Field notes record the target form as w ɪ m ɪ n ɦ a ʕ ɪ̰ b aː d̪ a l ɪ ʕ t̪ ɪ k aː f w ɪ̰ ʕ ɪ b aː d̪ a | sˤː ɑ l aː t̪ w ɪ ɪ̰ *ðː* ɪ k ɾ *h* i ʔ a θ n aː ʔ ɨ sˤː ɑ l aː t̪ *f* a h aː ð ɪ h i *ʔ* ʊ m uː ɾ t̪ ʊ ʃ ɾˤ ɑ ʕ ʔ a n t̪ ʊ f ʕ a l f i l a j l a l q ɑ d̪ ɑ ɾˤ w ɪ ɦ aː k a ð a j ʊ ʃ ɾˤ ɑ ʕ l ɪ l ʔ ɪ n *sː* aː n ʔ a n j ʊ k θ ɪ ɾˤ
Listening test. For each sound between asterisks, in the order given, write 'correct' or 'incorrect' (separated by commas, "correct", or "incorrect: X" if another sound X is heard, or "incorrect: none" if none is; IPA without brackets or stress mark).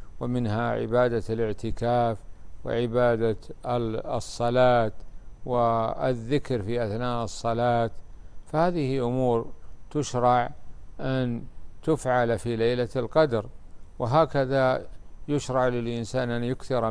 correct, incorrect: f, correct, correct, incorrect: s